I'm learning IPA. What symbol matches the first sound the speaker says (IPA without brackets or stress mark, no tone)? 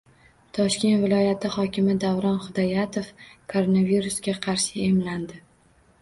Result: t̪ʰ